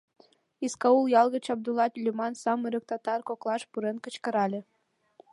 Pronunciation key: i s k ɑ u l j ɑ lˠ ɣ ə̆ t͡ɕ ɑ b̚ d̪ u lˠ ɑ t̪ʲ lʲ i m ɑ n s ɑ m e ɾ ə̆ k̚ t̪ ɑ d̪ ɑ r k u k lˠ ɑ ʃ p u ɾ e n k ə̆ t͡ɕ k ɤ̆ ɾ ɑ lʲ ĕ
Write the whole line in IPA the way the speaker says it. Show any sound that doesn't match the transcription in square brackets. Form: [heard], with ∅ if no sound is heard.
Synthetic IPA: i s k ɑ u l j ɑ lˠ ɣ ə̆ t͡ɕ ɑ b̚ d̪ u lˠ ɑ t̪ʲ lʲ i m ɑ n s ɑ m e ɾ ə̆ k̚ t̪ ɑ [t̪] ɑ r k [o] k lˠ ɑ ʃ p u ɾ e n k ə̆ t͡ɕ k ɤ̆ ɾ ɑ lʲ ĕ